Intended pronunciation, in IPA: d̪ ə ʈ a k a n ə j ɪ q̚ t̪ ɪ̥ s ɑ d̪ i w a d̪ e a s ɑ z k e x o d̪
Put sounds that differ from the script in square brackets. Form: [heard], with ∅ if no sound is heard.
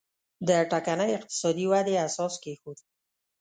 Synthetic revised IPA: d̪ ə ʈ a k a n ə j ɪ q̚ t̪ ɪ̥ s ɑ d̪ i w a d̪ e a s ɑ [s] k e x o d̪